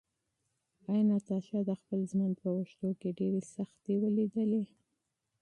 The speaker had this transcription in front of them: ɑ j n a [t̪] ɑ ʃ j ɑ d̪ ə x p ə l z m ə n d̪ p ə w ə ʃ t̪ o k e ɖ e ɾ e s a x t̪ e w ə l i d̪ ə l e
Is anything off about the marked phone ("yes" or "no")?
no